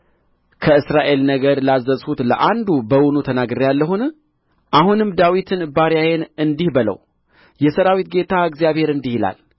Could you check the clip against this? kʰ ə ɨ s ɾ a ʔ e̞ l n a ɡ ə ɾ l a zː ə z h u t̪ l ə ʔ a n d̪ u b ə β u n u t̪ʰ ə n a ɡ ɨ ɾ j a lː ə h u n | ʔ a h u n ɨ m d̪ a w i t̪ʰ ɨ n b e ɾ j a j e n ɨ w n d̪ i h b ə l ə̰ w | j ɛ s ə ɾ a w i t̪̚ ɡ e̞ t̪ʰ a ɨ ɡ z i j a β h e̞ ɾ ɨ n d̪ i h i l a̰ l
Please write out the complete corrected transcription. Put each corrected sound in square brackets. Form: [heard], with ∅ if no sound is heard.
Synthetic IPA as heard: kʰ ə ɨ s ɾ a ʔ e̞ l n [ə] ɡ ə ɾ l a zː ə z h u t̪ l ə ʔ a n d̪ u b ə [w] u n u t̪ʰ ə n a ɡ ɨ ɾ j a lː ə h u n | ʔ a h u n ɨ m d̪ a w i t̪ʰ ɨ n b [a] ɾ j a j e n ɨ [∅] n d̪ i h b ə l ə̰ w | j ɛ s ə ɾ a w i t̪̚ ɡ e̞ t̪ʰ a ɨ ɡ z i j a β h e̞ ɾ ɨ n d̪ i h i l a̰ l